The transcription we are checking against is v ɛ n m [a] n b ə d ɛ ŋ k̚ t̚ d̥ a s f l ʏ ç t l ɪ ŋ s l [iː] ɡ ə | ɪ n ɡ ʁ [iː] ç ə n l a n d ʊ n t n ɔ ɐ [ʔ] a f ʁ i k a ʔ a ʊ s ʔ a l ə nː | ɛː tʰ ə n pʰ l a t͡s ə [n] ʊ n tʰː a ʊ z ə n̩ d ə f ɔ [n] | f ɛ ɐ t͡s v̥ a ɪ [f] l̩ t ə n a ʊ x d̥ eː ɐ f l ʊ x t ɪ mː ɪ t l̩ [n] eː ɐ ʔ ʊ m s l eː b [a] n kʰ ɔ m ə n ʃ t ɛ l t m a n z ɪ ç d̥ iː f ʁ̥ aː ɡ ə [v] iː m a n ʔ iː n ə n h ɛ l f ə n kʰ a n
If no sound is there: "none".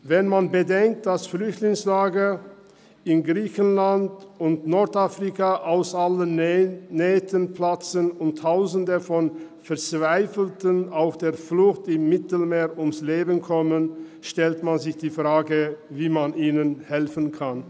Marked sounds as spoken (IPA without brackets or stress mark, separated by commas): a, aː, iː, t, n, n, f, m, ə, v